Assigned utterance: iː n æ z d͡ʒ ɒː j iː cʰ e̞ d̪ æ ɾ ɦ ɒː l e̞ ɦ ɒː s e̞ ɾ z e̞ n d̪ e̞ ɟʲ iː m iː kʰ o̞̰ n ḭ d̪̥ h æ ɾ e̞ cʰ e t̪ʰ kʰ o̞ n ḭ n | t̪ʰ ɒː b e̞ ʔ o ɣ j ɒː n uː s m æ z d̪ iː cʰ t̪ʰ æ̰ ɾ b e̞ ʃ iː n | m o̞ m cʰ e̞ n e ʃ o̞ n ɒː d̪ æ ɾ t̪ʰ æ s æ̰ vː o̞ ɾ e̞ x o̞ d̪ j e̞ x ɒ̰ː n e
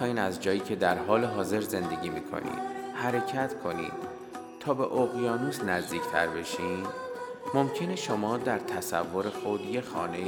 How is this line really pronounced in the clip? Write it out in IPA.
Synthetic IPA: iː n æ z d͡ʒ ɒː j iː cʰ e̞ d̪ æ ɾ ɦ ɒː l e̞ ɦ ɒː z e̞ ɾ z e̞ n d̪ e̞ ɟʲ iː m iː kʰ o̞̰ n ḭ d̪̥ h æ ɾ e̞ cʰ æ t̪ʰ kʰ o̞ n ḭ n | t̪ʰ ɒː b e̞ ʔ o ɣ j ɒː n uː s n æ z d̪ iː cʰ t̪ʰ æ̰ ɾ b e̞ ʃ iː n | m o̞ m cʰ e̞ n e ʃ o̞ m ɒː d̪ æ ɾ t̪ʰ æ s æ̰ vː o̞ ɾ e̞ x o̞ d̪ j e̞ x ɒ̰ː n e